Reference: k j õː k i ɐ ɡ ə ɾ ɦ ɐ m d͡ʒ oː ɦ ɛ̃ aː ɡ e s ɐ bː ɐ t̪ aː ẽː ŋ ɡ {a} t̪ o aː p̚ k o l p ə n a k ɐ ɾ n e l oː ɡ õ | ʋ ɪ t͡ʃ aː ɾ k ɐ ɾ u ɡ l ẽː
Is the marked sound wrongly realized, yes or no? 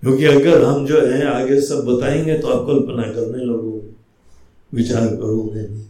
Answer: yes